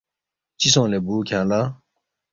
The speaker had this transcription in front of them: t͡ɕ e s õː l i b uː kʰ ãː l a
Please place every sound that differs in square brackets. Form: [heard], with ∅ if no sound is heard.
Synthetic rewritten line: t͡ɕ [i] s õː l [e] b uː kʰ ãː l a